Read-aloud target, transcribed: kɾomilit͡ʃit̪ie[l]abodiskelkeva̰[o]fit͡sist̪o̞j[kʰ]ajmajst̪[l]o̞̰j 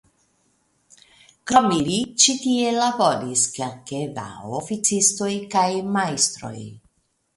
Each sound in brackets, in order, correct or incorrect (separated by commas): correct, correct, incorrect, incorrect